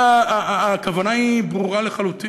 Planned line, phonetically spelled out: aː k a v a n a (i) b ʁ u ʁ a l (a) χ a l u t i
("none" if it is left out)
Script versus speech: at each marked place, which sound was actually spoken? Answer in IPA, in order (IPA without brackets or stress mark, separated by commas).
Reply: i, e